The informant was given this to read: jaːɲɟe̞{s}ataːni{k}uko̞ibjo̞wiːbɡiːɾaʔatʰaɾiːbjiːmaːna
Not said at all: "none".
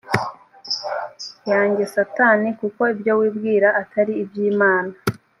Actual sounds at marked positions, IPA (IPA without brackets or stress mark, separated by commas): s, k